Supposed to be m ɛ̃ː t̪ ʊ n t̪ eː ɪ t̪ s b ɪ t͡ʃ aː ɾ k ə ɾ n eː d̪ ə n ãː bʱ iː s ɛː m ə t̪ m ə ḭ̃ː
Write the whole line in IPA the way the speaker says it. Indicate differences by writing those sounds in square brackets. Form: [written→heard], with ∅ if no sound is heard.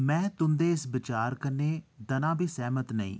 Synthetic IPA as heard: m ɛ̃ː t̪ ʊ n [t̪→d̪] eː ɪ [t̪→∅] s b ɪ t͡ʃ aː ɾ k ə ɾ n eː d̪ ə n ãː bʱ iː s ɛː m ə t̪ [m→n] ə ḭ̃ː